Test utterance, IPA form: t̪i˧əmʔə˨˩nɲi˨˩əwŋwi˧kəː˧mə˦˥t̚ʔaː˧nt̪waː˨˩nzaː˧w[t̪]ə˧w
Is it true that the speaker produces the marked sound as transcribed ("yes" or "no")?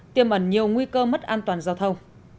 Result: no